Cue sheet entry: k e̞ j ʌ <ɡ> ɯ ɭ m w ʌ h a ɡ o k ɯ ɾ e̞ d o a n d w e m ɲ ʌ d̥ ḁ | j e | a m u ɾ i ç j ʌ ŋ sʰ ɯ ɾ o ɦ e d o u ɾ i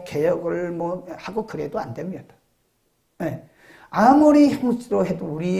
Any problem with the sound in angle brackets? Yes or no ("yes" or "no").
no